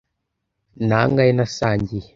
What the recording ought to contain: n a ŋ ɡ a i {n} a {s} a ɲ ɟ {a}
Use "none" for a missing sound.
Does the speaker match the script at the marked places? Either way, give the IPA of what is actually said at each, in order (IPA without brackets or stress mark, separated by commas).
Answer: n, s, i